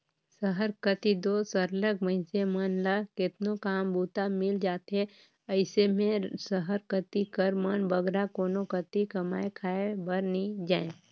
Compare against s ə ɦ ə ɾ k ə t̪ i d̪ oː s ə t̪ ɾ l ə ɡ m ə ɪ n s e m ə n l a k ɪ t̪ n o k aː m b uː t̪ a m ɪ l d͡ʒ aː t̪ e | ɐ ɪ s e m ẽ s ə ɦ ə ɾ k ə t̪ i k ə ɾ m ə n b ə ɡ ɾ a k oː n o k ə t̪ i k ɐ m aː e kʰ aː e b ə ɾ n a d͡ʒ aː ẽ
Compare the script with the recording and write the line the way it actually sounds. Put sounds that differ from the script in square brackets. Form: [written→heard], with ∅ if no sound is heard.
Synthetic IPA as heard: s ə ɦ ə ɾ k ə t̪ i d̪ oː s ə [t̪→∅] ɾ l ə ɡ m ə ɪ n s e m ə n l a k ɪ t̪ n o k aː m b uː t̪ a m ɪ l d͡ʒ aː t̪ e | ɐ ɪ s e m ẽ s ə ɦ ə ɾ k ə t̪ i k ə ɾ m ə n b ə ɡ ɾ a k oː n o k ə t̪ i k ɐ m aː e kʰ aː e b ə ɾ n [a→i] d͡ʒ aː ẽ